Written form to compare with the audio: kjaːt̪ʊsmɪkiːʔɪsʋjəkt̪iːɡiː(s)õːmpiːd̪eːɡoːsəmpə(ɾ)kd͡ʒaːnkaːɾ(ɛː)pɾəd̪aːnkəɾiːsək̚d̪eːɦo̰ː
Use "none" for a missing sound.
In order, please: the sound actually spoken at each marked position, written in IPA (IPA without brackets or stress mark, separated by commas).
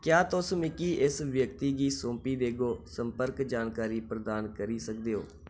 s, ɾ, iː